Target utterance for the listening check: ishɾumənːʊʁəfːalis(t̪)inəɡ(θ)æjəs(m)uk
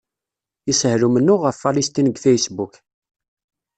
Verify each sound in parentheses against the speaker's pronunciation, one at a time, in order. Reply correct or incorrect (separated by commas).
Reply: correct, correct, incorrect